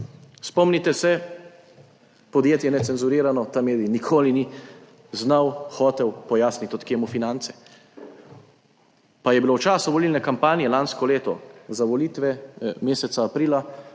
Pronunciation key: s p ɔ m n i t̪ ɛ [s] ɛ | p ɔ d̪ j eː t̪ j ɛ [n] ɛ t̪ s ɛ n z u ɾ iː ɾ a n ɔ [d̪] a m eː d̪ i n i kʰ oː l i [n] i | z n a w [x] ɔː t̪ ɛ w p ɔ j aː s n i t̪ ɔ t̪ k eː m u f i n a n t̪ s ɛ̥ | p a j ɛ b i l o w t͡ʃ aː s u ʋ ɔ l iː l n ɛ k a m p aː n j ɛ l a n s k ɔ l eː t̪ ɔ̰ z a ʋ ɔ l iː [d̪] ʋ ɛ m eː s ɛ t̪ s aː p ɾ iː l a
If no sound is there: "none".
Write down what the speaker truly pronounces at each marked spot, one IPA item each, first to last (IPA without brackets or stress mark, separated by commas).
s, n, t̪, n, x, t̪